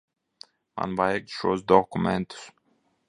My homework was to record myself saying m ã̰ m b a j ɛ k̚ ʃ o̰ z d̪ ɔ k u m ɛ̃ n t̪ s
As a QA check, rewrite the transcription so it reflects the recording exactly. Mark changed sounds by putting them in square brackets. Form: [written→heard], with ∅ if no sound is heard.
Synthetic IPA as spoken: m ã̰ [m→n] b a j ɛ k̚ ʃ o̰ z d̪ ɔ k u m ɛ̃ n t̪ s